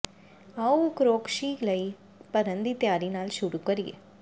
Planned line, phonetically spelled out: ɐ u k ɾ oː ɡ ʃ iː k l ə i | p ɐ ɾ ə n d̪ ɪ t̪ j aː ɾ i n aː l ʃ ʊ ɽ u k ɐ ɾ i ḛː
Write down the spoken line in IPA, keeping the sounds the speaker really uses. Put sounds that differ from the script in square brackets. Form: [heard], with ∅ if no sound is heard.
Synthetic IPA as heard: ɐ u k ɾ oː [k] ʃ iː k l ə i | p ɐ ɾ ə n d̪ [i] t̪ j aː ɾ i n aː l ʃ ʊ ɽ u k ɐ ɾ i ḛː